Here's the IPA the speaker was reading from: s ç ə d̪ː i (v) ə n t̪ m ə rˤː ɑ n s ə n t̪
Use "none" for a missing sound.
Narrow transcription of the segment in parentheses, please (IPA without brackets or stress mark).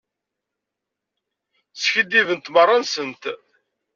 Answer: v